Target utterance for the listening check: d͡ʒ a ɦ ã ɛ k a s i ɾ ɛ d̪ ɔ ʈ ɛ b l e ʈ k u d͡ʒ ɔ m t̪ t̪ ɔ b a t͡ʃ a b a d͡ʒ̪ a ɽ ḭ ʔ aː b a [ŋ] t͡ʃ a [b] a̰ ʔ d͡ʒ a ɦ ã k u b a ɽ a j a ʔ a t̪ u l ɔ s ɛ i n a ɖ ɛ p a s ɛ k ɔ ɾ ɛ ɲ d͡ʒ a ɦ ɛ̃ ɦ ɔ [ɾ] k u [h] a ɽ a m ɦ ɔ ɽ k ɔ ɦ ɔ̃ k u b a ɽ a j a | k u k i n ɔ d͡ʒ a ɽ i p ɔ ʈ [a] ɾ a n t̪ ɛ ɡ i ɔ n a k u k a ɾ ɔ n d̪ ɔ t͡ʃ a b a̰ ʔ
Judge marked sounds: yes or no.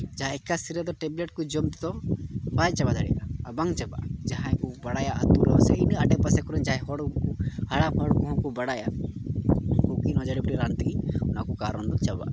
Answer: yes, yes, no, yes, no

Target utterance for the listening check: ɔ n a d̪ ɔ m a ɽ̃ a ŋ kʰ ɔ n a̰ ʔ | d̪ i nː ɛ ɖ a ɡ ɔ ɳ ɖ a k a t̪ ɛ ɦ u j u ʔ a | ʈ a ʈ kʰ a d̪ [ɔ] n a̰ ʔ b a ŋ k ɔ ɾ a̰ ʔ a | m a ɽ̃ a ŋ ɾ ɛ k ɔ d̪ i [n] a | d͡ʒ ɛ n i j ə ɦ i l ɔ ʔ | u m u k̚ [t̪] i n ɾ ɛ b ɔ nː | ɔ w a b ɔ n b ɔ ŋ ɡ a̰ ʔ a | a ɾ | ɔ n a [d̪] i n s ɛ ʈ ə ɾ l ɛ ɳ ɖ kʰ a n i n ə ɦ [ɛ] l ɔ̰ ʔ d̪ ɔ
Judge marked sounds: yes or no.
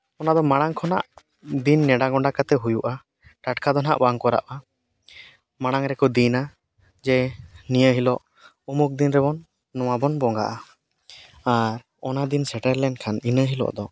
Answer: yes, yes, no, yes, no

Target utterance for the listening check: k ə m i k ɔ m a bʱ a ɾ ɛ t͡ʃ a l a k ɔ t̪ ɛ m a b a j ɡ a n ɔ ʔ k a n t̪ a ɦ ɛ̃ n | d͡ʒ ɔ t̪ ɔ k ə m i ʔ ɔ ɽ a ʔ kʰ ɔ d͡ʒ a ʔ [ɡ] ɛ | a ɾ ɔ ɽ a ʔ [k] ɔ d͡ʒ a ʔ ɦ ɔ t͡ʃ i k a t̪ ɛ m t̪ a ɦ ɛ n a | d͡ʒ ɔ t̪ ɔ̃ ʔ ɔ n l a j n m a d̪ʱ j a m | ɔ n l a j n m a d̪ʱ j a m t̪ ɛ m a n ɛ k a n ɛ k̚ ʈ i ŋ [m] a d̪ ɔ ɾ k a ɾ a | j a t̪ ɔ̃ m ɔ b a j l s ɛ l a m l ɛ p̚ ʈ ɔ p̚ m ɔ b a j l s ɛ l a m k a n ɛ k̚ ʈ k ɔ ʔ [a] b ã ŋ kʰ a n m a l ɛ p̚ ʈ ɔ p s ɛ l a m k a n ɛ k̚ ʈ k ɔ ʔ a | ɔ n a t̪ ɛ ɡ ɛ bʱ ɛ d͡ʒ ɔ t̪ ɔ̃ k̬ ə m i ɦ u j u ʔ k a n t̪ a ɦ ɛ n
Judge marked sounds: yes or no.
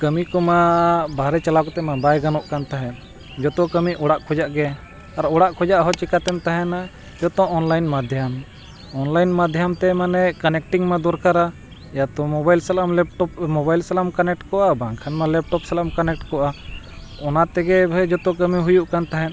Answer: yes, no, yes, yes

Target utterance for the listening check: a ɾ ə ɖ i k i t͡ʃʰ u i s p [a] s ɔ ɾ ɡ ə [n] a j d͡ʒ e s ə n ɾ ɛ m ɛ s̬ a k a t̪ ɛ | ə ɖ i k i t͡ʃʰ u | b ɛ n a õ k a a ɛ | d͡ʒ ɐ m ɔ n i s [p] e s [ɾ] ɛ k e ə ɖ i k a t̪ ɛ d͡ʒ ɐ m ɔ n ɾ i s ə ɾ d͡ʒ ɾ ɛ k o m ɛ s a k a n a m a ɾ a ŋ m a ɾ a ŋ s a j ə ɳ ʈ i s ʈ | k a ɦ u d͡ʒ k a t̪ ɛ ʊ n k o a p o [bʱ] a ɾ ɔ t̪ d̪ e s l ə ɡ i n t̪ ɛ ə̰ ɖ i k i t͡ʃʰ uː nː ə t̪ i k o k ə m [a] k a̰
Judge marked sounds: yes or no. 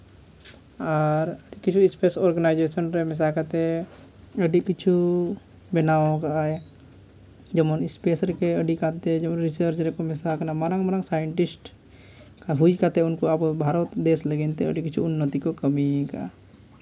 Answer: no, yes, yes, yes, yes, no

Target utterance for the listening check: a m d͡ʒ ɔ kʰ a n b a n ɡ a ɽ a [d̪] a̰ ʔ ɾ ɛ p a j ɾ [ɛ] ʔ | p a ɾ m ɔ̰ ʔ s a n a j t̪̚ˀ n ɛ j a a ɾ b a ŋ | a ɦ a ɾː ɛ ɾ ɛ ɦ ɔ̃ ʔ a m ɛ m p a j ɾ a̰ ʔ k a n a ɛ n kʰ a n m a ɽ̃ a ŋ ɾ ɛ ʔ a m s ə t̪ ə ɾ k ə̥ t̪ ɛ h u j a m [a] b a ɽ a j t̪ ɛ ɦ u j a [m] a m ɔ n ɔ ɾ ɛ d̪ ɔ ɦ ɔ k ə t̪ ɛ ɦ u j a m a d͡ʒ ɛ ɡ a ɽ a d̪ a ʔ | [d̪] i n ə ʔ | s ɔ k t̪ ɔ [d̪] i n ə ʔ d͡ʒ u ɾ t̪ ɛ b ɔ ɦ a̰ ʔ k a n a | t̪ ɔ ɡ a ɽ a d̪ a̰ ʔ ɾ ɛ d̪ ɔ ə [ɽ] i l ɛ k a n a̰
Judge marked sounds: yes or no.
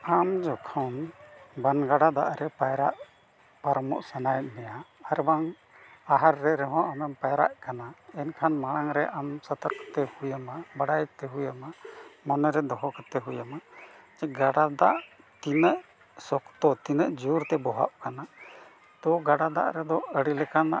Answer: yes, no, yes, yes, no, no, yes

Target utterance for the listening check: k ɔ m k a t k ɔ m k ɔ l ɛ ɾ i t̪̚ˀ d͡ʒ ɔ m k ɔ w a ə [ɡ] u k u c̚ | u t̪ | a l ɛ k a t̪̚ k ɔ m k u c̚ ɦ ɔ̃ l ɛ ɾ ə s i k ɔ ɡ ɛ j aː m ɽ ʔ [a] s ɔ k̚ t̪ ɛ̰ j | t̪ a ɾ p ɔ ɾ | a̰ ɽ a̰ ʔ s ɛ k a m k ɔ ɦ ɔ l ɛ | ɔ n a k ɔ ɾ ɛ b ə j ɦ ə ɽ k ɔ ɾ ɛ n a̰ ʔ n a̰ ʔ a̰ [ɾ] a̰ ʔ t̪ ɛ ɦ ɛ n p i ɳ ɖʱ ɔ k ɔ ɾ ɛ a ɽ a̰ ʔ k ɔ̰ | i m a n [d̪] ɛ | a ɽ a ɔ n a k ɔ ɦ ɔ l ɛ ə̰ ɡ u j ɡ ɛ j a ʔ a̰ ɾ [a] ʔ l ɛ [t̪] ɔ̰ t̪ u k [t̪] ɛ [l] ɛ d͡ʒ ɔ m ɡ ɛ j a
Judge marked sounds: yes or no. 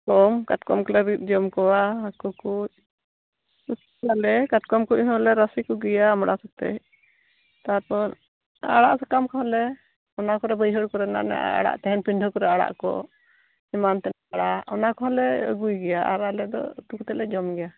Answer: no, yes, no, no, yes, no, yes, yes

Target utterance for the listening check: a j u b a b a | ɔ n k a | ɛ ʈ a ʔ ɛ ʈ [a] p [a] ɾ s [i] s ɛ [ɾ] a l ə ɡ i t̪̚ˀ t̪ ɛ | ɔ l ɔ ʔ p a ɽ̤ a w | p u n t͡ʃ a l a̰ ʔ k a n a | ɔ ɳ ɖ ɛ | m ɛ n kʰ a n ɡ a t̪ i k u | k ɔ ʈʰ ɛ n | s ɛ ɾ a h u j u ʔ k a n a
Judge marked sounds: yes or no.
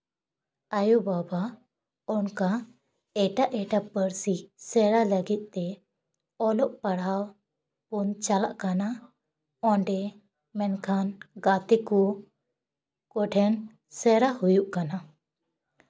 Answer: yes, no, yes, yes

